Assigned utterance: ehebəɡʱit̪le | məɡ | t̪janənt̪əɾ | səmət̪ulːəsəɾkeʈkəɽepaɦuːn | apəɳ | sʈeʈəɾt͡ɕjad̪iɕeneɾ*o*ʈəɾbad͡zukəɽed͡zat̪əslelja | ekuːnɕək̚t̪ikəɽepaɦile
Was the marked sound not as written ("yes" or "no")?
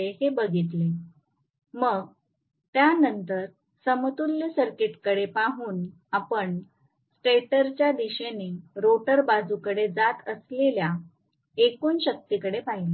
no